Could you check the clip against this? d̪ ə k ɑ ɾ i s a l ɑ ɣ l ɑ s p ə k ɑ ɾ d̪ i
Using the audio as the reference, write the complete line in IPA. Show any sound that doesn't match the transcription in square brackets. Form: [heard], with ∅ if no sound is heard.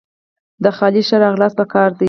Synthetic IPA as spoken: d̪ ə [x] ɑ [l] i [ʃ] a [ɾ] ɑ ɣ l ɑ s p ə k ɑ ɾ d̪ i